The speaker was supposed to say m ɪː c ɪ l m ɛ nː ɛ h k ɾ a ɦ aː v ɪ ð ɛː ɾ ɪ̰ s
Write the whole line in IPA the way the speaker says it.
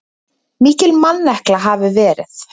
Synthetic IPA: m iː c ɪ l m a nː ɛ h k l a ɦ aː v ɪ v ɛː ɾ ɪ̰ θ